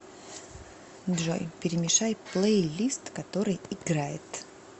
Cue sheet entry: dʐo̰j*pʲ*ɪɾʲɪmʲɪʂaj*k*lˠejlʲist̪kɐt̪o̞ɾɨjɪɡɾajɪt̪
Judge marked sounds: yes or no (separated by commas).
yes, no